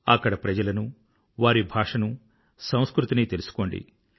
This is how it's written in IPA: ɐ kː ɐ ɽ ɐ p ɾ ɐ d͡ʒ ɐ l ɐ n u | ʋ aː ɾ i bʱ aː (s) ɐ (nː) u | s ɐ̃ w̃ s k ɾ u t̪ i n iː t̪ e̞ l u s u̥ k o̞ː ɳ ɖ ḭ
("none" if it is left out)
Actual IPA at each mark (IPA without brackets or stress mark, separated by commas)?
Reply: ʂ, n